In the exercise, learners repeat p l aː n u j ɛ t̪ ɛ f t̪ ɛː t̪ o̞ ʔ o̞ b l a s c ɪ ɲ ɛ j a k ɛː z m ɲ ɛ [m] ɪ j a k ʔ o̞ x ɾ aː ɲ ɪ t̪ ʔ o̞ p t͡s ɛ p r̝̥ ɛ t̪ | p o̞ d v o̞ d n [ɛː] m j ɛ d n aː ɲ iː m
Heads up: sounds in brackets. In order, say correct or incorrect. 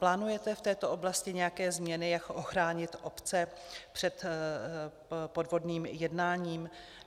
incorrect: n, incorrect: iː

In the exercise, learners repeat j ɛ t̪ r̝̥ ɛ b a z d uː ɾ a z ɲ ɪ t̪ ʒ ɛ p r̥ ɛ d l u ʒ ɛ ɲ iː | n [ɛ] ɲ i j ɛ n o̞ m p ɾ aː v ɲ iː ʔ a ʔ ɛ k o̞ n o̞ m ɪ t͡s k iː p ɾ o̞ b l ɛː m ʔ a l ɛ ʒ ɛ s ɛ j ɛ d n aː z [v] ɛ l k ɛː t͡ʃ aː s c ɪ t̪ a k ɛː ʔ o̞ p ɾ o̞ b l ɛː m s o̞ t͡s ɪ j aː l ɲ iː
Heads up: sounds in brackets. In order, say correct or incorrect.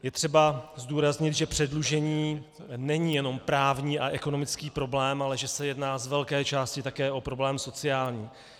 correct, correct

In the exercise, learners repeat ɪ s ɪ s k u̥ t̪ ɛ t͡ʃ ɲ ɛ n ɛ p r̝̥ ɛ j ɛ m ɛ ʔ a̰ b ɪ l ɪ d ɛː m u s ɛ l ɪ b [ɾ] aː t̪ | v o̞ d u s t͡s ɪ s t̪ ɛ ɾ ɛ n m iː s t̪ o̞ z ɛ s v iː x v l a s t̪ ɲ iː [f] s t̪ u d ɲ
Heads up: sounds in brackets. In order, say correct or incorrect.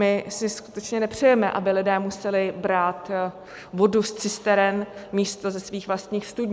correct, incorrect: x

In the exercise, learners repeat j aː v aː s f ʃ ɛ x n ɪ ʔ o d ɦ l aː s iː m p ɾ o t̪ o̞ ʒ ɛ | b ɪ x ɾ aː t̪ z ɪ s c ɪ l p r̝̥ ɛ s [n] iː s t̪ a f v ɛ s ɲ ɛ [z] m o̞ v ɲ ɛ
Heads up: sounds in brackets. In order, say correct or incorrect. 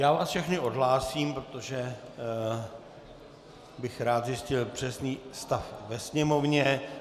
correct, incorrect: none

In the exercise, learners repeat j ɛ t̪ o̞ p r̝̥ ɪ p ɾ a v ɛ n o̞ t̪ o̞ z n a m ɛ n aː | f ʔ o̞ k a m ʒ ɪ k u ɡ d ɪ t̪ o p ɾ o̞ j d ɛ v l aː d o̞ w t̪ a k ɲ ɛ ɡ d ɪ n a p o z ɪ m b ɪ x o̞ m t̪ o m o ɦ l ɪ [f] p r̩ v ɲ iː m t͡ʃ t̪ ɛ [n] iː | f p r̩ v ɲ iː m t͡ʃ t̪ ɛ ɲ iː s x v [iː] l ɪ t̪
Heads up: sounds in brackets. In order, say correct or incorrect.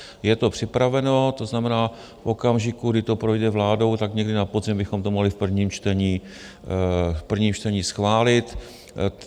correct, incorrect: ɲ, incorrect: aː

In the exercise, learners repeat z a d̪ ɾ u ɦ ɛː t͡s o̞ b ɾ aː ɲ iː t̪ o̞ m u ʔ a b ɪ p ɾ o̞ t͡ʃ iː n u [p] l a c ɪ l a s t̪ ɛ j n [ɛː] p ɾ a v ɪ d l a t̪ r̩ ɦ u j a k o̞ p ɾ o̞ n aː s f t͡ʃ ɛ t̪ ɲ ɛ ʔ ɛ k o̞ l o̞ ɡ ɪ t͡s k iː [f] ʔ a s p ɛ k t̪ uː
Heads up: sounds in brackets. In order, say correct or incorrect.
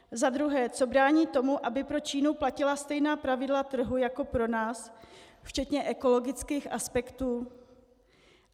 correct, incorrect: aː, incorrect: x

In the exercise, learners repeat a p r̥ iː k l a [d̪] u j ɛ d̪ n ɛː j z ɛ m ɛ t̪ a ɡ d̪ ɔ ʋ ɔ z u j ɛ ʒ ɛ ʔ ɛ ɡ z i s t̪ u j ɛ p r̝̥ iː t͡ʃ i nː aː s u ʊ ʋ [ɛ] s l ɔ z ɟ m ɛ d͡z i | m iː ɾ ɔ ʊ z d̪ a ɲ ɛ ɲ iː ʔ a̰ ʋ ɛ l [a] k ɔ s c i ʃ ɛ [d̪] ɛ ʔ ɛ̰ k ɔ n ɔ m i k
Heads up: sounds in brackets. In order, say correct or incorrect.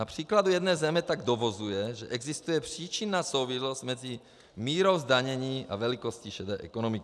correct, incorrect: i, incorrect: i, correct

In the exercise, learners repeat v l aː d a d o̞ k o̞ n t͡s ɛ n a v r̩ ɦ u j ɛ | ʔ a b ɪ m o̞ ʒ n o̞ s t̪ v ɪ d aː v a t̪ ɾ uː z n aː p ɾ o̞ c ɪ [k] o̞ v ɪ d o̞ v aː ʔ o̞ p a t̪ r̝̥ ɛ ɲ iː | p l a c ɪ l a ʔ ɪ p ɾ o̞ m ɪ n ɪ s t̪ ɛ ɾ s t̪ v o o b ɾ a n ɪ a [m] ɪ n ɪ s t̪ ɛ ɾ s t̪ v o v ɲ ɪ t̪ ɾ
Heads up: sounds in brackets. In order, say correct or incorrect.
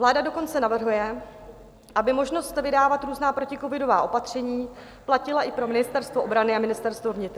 correct, correct

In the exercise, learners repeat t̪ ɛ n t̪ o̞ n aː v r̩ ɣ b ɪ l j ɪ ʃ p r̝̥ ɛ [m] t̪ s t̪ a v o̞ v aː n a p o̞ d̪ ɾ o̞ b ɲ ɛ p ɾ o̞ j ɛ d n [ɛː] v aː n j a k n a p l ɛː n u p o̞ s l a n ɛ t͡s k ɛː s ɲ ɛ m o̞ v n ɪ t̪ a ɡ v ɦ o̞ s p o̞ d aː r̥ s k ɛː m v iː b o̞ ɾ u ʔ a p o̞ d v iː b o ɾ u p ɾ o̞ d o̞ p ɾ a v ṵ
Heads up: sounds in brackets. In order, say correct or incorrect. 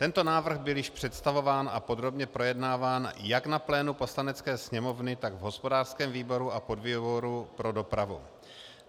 incorrect: none, incorrect: aː

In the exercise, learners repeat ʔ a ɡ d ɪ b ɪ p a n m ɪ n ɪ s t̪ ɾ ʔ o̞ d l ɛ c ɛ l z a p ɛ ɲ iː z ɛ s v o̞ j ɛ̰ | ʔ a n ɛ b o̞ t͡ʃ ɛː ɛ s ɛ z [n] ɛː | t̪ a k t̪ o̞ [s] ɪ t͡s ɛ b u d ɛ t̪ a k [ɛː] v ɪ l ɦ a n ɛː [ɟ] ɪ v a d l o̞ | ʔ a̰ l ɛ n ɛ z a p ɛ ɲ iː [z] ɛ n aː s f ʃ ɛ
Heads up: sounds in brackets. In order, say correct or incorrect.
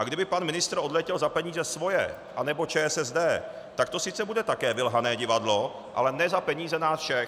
incorrect: d, correct, correct, correct, correct

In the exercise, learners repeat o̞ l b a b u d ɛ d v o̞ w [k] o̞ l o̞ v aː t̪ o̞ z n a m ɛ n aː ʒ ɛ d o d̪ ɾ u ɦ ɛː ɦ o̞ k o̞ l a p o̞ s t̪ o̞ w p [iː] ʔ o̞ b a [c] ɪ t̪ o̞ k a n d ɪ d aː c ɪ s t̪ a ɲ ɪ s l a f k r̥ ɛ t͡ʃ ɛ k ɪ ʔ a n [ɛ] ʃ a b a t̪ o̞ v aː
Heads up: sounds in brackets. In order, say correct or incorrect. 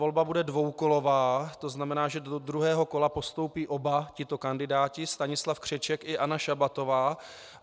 correct, correct, correct, incorrect: a

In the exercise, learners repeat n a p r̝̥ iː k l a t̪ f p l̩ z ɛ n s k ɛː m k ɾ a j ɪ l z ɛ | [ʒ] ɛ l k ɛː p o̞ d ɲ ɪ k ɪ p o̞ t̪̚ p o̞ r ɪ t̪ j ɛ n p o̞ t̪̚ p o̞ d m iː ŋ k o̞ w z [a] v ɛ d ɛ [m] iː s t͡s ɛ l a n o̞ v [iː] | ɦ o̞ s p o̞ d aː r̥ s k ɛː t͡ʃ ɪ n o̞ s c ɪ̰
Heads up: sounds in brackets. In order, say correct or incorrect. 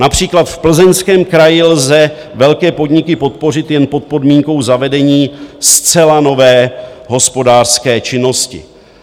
incorrect: v, correct, incorrect: ɲ, incorrect: ɛː

